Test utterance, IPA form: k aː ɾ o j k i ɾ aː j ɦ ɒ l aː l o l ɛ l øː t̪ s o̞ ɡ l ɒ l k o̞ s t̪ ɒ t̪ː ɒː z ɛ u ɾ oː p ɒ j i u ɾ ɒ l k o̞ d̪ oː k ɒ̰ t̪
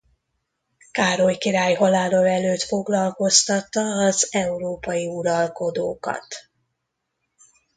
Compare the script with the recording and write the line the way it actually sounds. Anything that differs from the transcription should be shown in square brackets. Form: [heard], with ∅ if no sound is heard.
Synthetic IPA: k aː ɾ o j k i ɾ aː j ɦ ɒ l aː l o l ɛ l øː t̪ [f] o̞ ɡ l ɒ l k o̞ s t̪ ɒ t̪ː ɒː z ɛ u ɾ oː p ɒ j i u ɾ ɒ l k o̞ d̪ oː k ɒ̰ t̪